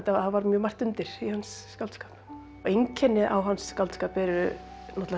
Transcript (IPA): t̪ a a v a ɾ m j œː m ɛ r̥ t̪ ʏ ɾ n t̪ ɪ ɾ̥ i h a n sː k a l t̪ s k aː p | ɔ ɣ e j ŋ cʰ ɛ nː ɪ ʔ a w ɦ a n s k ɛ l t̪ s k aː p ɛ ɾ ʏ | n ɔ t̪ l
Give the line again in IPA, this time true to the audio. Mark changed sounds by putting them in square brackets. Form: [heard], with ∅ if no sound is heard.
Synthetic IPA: t̪ a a v a ɾ m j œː m [a] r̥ t̪ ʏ [∅] n t̪ ɪ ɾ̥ i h a n sː k a l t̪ s k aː p | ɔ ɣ e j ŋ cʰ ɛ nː ɪ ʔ a w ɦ a n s k [a] l t̪ s k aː p ɛ ɾ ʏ | n ɔ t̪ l

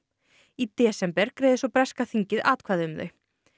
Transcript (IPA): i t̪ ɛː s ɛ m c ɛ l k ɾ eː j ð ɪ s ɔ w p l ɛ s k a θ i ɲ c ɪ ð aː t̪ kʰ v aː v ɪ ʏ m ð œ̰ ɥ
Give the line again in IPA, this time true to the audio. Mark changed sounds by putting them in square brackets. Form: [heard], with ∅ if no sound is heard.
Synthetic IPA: i t̪ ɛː s ɛ m [p] ɛ [ɾ] k ɾ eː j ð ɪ s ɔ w p [ɾ] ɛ s k a θ i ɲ c ɪ ð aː t̪ kʰ v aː [ð] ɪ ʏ m ð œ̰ ɥ

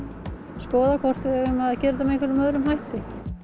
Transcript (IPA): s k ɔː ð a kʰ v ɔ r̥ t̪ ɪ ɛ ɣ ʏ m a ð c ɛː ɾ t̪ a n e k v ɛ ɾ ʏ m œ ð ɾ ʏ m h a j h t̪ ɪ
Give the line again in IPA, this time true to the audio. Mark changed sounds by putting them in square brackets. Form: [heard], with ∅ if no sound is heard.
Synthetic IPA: s k ɔː ð a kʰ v ɔ r̥ t̪ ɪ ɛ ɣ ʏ m a ð c ɛː ɾ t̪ a [m] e k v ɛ ɾ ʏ m œ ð ɾ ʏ m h a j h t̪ ɪ

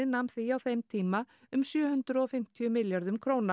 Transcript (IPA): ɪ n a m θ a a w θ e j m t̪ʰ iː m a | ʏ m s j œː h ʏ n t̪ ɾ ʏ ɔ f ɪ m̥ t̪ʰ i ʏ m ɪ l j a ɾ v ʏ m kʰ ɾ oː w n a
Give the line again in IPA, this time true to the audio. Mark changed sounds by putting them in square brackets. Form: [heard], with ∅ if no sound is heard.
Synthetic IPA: ɪ n a m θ [i] a w θ e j m t̪ʰ iː m a | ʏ m s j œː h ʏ n t̪ ɾ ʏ ɔ f ɪ m̥ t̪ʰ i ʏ m ɪ l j a ɾ [ð] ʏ m kʰ ɾ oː w n a

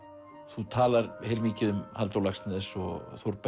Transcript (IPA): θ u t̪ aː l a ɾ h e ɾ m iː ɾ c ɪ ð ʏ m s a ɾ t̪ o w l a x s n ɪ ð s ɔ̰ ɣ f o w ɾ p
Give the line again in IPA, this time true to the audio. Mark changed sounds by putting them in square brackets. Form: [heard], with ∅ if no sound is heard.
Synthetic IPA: θ u [t̪ʰ] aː l a ɾ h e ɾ m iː [∅] c ɪ ð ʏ m [h] a [l] t̪ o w l a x s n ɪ ð s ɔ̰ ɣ [θ] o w ɾ p

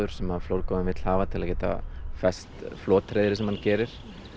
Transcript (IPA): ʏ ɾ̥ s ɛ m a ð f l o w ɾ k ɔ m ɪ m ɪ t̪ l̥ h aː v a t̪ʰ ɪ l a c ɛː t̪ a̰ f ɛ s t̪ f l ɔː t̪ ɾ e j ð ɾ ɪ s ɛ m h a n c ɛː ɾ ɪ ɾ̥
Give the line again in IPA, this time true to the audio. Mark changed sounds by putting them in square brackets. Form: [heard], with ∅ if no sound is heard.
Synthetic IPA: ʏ ɾ̥ s ɛ m a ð f l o w ɾ k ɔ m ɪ m ɪ t̪ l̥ h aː v a t̪ʰ ɪ l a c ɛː t̪ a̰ f ɛ s t̪ f l ɔː t̪ ɾ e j ð ɾ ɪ s ɛ m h a n c ɛː ɾ ɪ ɾ̥

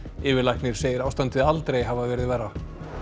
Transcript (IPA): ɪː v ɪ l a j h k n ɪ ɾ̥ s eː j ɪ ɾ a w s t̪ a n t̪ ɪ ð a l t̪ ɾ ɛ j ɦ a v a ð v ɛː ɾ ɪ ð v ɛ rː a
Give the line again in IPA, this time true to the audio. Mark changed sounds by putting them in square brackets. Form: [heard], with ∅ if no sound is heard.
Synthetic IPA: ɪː v ɪ l a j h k n ɪ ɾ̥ s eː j ɪ ɾ a w s t̪ a n t̪ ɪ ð a l t̪ ɾ [e] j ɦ a v a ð v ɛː ɾ ɪ ð v ɛ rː a

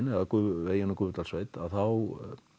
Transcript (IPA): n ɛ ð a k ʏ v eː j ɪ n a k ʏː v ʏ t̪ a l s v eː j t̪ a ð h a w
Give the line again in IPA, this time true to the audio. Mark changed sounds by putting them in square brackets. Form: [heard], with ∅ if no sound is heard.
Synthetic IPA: n ɛ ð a k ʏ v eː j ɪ n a k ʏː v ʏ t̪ a l s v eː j t̪ a ð [θ] a w

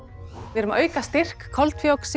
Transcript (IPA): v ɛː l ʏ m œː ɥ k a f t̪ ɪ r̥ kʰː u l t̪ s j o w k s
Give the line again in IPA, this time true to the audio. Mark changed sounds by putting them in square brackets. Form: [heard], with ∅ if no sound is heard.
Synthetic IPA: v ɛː [ɾ] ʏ m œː ɥ k a [s] t̪ ɪ r̥ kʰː [ɔ] l t̪ [f] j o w k s

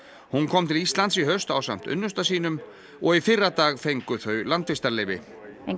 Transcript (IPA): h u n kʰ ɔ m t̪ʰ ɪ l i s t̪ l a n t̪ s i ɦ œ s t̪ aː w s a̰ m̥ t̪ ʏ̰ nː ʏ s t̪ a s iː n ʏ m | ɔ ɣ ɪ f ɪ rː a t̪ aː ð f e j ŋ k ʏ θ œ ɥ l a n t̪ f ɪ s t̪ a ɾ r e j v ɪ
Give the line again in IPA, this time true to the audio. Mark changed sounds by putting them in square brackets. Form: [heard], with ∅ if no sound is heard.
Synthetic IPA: h u n kʰ ɔ m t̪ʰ ɪ l i s t̪ l a n t̪ s i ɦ œ s t̪ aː w s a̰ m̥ t̪ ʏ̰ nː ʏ s t̪ a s iː n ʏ m | ɔ ɣ [i] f ɪ rː a t̪ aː [ɣ] f e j ŋ k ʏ θ œ ɥ l a n t̪ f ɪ s t̪ a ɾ [l] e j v ɪ

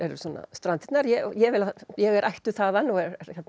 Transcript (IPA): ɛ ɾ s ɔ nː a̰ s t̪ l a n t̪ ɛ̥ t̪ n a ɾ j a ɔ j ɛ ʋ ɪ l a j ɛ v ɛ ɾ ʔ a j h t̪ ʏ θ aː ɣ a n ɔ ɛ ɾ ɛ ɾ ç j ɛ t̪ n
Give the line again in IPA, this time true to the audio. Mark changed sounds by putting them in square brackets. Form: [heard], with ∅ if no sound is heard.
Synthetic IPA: ɛ ɾ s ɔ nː a̰ s t̪ [ɾ] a n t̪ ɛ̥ t̪ n a ɾ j [ɛ] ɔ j ɛ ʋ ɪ l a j ɛ [ɣ] ɛ ɾ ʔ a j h t̪ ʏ θ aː [ð] a n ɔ ɛ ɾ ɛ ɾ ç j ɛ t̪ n

